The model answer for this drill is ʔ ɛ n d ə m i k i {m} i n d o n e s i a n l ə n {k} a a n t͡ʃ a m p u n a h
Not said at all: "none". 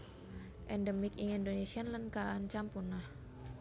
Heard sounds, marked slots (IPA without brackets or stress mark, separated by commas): ŋ, k